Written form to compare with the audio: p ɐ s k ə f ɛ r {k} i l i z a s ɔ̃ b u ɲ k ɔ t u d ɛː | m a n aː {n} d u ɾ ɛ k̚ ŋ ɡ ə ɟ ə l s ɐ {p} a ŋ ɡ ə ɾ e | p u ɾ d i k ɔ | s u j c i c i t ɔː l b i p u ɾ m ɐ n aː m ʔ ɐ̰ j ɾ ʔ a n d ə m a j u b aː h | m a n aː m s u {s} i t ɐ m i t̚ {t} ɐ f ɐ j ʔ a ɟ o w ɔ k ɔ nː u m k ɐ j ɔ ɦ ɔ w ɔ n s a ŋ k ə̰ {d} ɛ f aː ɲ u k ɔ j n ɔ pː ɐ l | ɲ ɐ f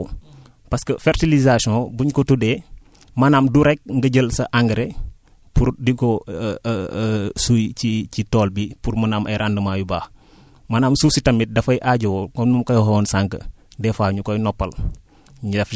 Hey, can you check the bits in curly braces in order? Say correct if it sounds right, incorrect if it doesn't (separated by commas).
incorrect, incorrect, incorrect, correct, incorrect, correct